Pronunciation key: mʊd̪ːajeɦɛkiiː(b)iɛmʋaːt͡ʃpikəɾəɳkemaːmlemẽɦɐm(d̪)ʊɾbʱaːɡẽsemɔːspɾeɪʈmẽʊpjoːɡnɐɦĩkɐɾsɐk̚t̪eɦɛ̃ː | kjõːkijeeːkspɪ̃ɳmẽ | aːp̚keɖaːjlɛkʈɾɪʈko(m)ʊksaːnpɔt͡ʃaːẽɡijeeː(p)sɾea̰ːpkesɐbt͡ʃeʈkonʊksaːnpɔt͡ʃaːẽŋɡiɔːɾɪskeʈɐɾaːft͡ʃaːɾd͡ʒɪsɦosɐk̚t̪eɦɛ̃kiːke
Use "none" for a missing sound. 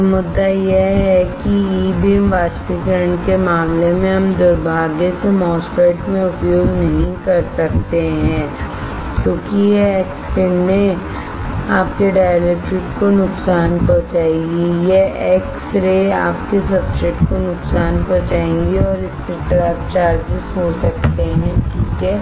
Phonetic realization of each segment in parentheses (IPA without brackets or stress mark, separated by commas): b, d̪, n, k